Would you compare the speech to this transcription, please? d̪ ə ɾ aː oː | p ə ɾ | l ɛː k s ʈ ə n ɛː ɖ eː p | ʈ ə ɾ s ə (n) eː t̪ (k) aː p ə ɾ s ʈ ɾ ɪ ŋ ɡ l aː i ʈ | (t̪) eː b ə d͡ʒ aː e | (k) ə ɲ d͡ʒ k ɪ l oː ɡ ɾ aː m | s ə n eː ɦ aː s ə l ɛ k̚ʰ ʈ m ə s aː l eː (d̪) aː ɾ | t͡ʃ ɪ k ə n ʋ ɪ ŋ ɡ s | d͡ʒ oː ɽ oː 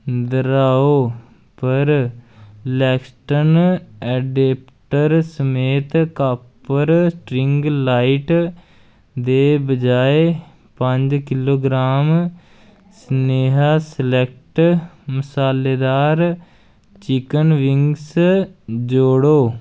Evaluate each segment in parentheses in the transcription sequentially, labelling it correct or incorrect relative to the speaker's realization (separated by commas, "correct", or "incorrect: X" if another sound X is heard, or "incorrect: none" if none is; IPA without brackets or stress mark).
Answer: incorrect: m, correct, incorrect: d̪, incorrect: p, correct